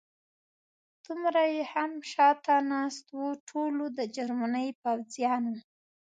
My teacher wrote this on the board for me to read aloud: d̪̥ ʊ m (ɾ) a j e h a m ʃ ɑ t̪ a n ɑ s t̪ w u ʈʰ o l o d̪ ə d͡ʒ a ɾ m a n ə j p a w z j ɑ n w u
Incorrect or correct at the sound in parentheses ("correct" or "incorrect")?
correct